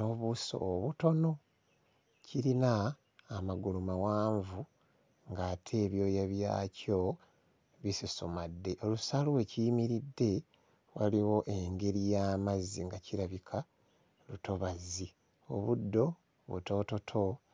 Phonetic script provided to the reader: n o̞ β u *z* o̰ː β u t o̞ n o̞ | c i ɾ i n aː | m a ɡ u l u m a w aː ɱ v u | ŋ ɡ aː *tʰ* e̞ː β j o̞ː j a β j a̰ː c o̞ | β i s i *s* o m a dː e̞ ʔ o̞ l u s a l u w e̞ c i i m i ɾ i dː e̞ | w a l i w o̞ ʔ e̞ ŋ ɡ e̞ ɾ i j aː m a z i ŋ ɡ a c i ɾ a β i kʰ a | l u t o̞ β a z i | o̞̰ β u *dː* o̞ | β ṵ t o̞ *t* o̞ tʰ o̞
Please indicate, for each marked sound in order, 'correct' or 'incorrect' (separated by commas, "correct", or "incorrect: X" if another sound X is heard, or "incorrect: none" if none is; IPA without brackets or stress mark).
incorrect: s, correct, correct, correct, correct